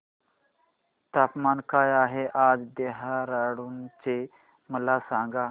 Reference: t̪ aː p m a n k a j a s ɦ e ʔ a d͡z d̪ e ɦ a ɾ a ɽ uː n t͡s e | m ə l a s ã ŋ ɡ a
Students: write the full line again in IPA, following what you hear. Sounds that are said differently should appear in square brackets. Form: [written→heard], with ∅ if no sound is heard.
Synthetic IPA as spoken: t̪ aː p m a n k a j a [s→∅] ɦ e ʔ a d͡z d̪ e ɦ a ɾ a ɽ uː n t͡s e | m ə l a s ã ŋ ɡ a

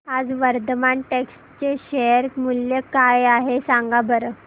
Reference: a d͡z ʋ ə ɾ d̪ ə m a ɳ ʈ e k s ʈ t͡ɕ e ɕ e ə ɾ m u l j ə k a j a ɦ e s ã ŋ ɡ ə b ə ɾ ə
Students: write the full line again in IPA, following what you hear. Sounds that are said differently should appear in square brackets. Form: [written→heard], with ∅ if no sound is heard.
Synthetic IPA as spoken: a d͡z ʋ ə ɾ d̪ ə m a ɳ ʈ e k s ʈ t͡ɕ e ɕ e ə ɾ m u l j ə k a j a ɦ e s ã ŋ ɡ [ə→a] b ə ɾ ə

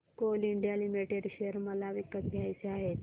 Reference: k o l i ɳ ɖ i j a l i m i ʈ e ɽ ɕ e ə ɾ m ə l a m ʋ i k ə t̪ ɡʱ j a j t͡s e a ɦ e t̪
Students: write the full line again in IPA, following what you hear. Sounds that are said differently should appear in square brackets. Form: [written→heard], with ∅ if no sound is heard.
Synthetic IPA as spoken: k o l i ɳ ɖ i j a l i m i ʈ e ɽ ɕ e ə ɾ m ə l a [m→∅] ʋ i k ə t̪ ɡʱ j a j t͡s e a ɦ e t̪

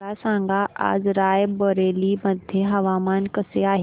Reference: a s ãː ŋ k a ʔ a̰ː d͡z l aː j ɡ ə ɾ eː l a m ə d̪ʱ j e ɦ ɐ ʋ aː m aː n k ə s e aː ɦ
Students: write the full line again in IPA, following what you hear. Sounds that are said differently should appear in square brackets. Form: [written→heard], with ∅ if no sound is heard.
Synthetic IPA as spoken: a s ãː ŋ [k→ɡ] a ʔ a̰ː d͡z [l→ɾ] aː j [ɡ→b] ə ɾ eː l [a→i] m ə d̪ʱ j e ɦ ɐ ʋ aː m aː n k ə s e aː ɦ

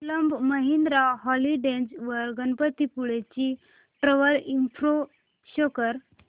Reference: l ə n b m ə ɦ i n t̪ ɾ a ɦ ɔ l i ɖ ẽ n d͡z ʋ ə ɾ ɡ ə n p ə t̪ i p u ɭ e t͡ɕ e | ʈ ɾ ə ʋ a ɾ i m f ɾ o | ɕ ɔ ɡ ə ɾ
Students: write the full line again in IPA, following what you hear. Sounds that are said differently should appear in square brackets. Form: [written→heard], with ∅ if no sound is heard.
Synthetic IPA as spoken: l ə [n→m] b m ə ɦ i n [t̪→d̪] ɾ a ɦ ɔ l i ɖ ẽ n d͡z ʋ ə ɾ ɡ ə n p ə t̪ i p u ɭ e t͡ɕ [e→i] | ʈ ɾ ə ʋ [a→ə] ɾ i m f ɾ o | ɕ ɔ [ɡ→k] ə ɾ

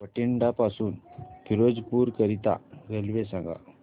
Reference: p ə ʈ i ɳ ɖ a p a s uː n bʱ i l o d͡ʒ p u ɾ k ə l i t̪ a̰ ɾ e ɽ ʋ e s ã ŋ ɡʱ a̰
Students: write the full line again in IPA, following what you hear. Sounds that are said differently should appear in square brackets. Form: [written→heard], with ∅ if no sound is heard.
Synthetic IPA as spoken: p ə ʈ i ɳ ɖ a p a s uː n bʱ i [l→ɾ] o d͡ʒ p u ɾ k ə [l→ɾ] i t̪ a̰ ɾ e [ɽ→l] ʋ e s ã ŋ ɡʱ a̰

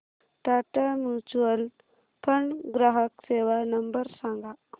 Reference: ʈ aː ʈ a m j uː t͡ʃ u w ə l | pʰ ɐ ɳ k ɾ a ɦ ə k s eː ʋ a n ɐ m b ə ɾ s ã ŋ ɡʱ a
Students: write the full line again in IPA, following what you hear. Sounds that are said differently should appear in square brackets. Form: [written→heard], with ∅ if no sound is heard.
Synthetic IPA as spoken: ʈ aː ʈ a m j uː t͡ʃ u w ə l | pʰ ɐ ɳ [k→ɡ] ɾ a ɦ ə k s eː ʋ a n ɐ m b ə ɾ s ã ŋ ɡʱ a

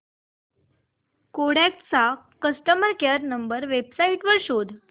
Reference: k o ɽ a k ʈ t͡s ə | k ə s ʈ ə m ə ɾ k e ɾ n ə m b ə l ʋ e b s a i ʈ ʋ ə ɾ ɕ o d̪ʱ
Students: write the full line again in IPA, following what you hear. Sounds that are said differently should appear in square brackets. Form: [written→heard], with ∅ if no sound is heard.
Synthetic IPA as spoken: k o ɽ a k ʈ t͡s [ə→a] | k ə s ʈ ə m ə ɾ k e ɾ n ə m b ə [l→ɾ] ʋ e b s a i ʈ ʋ ə ɾ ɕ o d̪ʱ

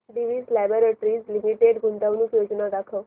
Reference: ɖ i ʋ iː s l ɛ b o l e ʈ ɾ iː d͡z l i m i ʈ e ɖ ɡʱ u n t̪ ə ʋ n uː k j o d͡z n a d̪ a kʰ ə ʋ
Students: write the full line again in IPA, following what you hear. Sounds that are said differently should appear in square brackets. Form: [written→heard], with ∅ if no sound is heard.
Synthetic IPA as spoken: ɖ i ʋ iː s l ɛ b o [l→ɾ] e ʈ ɾ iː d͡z l i m i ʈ e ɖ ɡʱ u n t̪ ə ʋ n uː k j o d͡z n a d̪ a kʰ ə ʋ

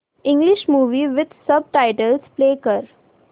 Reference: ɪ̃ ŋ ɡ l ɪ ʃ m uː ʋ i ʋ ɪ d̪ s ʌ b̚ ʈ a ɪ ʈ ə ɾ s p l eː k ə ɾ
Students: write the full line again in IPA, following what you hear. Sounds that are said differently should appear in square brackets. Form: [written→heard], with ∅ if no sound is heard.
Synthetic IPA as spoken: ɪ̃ ŋ ɡ l ɪ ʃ m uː ʋ i ʋ ɪ d̪ s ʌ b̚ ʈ a ɪ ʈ ə [ɾ→l] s p l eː k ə ɾ

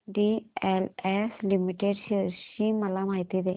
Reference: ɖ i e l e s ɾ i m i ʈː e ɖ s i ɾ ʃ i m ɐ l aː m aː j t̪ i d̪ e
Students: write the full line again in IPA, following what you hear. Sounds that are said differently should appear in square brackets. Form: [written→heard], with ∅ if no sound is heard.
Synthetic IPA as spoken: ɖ i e l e s [ɾ→l] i m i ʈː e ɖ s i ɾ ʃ i m ɐ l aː m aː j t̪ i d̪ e

